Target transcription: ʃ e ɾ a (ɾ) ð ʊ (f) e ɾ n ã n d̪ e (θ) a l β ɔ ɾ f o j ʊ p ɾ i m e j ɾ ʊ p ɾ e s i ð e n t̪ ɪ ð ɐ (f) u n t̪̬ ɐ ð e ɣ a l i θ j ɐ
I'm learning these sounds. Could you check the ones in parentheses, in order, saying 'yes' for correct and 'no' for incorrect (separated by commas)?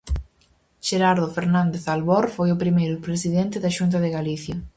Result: yes, yes, yes, no